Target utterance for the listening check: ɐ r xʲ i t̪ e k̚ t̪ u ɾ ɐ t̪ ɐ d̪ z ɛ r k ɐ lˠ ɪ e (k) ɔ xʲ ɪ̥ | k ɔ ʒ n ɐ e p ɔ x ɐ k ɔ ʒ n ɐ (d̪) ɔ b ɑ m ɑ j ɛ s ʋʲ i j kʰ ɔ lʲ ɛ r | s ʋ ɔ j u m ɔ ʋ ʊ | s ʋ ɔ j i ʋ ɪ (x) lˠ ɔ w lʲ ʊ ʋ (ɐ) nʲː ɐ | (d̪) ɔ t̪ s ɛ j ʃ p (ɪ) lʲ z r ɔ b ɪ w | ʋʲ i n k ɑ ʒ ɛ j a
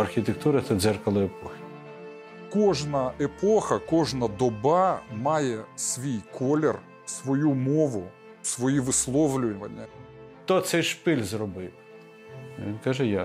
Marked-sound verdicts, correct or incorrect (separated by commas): incorrect, correct, incorrect, correct, incorrect, correct